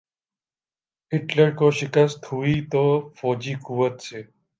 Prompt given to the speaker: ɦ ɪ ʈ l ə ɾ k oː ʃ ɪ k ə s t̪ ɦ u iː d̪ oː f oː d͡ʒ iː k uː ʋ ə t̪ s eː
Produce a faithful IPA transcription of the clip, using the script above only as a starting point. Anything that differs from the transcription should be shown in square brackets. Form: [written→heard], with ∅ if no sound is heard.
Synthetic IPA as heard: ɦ ɪ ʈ l ə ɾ k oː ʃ ɪ k ə s t̪ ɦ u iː [d̪→t̪] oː f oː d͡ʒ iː k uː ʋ ə t̪ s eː